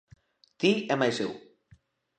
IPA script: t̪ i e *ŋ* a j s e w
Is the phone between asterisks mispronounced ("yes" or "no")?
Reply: yes